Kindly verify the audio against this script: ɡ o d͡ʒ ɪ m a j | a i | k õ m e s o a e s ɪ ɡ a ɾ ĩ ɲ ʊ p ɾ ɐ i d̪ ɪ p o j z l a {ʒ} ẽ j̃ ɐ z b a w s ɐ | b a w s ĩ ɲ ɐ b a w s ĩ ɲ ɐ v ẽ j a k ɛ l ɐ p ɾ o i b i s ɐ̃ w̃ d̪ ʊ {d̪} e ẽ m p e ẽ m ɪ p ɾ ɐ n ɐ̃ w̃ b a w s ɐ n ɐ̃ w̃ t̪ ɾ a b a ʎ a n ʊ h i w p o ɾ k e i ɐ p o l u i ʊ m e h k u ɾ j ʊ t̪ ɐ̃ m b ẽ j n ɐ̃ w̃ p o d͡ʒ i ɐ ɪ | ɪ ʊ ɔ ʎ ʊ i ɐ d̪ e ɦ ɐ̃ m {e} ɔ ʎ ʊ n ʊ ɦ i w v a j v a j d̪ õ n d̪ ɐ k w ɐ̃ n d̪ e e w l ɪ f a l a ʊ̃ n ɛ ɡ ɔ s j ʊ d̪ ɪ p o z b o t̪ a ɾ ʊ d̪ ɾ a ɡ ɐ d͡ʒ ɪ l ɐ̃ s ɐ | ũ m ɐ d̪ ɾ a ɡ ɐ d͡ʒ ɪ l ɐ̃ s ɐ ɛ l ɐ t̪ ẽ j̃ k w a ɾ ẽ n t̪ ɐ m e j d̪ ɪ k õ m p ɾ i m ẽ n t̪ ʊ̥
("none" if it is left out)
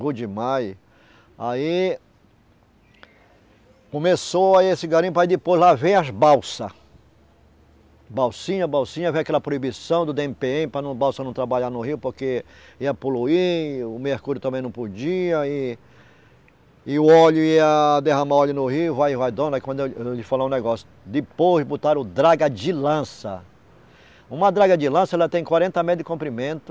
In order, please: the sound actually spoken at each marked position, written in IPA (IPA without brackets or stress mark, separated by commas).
v, d̪, a